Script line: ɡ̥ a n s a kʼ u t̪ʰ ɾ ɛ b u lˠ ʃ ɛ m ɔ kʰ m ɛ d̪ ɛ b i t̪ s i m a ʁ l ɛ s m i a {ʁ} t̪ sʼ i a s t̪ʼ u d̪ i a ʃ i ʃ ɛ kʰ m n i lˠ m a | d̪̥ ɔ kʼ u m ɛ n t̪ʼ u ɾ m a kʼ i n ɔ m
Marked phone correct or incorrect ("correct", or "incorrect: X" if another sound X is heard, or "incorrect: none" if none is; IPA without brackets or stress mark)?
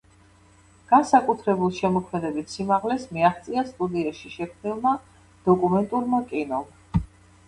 incorrect: χ